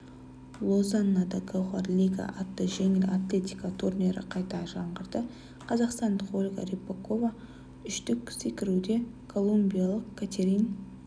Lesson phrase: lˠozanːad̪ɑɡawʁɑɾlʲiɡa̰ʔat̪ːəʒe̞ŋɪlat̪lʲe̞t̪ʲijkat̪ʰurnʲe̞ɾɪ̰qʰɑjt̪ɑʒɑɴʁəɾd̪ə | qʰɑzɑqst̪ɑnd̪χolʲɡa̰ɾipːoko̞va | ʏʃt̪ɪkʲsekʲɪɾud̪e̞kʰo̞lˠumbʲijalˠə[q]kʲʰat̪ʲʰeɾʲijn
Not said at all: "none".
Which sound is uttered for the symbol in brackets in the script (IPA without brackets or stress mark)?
q